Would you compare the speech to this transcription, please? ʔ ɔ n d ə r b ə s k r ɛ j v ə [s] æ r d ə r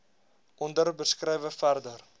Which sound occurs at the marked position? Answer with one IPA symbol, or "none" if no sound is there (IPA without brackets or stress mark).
f